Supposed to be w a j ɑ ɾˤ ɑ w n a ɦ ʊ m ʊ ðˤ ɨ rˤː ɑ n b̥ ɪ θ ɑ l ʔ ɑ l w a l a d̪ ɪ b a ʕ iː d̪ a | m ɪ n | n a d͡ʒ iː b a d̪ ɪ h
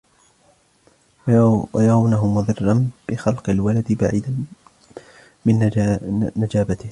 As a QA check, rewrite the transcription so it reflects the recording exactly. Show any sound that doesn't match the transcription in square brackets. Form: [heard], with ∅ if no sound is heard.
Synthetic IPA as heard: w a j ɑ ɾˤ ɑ w n a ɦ ʊ m ʊ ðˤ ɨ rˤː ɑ n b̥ ɪ [x] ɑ l [q] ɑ l w a l a d̪ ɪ b a ʕ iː d̪ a | m ɪ n | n a d͡ʒ [aː] b a [t̪] ɪ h